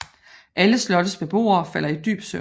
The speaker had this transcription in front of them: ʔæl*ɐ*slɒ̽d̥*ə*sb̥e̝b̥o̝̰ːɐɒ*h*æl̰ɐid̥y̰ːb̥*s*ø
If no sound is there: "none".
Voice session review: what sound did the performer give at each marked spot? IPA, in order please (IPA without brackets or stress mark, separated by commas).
ə, ə, f, s